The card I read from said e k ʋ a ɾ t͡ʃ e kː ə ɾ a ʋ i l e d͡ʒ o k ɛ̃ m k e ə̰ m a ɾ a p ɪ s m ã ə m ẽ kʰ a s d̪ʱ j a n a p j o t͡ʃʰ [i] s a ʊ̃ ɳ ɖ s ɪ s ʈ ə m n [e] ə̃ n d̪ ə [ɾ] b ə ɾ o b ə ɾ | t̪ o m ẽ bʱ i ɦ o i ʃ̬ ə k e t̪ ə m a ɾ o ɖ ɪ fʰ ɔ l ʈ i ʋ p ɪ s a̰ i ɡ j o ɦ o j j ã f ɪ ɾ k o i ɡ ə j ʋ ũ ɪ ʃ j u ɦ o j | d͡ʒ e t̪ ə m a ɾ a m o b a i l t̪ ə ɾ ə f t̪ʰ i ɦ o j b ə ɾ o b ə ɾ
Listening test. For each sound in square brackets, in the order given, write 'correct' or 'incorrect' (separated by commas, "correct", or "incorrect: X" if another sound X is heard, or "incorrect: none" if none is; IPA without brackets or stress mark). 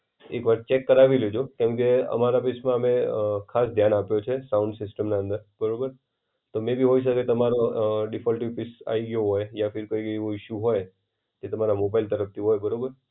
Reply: incorrect: e, incorrect: a, correct